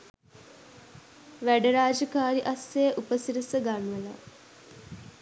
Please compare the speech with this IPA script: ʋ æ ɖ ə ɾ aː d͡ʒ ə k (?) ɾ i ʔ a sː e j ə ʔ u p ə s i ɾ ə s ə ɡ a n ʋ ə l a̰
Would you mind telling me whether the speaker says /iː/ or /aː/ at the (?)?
aː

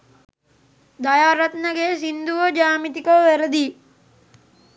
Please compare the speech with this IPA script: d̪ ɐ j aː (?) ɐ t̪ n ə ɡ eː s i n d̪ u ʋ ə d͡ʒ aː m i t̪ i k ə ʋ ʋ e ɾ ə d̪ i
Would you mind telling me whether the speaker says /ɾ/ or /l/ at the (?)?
ɾ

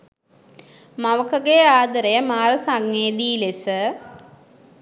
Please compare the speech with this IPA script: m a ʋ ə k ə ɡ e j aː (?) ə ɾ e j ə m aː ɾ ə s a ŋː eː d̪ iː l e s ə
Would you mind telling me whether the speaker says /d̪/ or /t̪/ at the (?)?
d̪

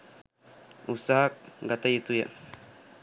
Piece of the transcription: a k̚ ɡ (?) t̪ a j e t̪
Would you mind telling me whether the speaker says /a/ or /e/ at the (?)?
a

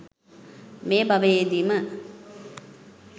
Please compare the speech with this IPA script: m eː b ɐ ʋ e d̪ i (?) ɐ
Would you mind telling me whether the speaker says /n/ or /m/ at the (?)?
m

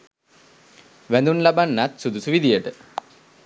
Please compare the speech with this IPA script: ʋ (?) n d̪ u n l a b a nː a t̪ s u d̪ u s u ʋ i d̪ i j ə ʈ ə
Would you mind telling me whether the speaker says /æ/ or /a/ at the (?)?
æ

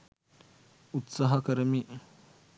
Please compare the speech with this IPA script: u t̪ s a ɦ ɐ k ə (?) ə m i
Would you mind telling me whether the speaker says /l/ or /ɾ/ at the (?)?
ɾ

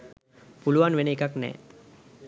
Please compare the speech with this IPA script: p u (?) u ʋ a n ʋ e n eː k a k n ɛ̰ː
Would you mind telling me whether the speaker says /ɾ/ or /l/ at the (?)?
l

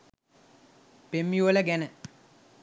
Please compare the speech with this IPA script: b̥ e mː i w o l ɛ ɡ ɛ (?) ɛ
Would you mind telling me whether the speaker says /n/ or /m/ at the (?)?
n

